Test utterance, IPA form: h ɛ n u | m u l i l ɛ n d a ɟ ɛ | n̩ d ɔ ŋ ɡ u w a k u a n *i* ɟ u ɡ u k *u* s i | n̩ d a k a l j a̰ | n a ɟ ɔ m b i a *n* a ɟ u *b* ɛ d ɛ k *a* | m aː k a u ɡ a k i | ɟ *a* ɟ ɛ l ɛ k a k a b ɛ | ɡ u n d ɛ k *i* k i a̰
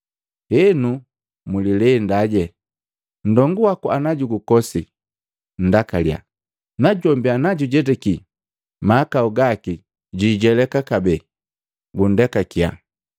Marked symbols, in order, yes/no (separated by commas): no, no, yes, no, no, no, no